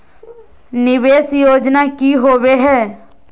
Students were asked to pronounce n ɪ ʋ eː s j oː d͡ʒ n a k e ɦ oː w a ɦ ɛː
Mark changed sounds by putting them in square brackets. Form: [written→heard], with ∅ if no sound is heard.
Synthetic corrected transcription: n ɪ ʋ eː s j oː d͡ʒ n a k [e→i] ɦ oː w [a→e] ɦ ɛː